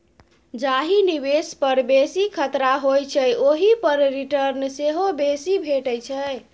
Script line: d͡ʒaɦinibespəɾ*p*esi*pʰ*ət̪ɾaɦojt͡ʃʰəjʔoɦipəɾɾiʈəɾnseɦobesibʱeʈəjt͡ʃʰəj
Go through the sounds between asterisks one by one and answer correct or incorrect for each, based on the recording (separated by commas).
incorrect, incorrect